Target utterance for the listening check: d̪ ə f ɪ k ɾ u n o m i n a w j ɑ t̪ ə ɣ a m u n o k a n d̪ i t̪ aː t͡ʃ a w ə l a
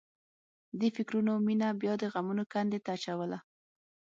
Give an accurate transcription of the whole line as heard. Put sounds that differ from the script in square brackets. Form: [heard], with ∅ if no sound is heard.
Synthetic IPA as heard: d̪ ə f ɪ k ɾ u n o m i n a [b] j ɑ [d̪] ə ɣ a m u n o k a n d̪ [e] t̪ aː t͡ʃ a w ə l a